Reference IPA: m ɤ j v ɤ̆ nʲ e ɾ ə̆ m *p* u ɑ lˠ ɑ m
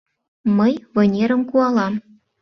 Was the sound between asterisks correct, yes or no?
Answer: no